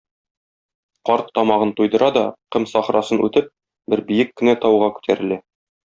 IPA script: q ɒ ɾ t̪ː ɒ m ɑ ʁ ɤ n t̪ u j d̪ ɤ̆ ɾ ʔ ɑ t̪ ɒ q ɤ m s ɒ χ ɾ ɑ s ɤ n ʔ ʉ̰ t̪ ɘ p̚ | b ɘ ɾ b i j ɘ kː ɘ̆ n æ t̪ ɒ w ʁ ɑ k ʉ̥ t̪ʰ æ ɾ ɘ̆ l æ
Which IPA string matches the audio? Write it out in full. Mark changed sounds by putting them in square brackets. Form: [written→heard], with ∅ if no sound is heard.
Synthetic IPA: q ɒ ɾ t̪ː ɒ m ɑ ʁ ɤ n t̪ u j d̪ ɤ̆ ɾ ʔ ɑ [t̪→d̪] ɒ q ɤ m s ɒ χ ɾ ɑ s ɤ n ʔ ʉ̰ t̪ ɘ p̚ | b ɘ ɾ b i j ɘ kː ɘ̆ n æ t̪ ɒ w ʁ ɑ k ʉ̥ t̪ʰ æ ɾ ɘ̆ l æ